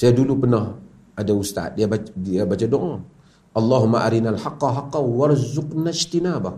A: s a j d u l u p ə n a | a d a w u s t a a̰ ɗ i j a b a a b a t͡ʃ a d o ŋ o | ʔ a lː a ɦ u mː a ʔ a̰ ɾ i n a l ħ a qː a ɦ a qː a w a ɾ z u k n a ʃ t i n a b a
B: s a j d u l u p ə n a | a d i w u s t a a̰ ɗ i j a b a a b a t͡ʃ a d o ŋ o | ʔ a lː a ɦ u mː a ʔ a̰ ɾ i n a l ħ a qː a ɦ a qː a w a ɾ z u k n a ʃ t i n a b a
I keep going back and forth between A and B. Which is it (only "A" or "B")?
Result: A